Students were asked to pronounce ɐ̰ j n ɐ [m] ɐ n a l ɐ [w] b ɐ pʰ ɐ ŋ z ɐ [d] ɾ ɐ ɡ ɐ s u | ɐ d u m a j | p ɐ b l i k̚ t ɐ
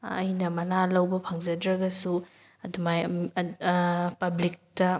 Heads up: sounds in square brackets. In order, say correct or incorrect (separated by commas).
correct, correct, correct